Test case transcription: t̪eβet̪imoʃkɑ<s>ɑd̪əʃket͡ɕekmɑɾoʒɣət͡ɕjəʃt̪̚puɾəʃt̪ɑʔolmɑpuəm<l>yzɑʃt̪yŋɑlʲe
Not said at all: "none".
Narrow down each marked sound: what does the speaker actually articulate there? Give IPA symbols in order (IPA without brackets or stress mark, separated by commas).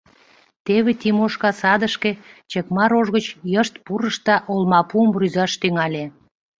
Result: s, r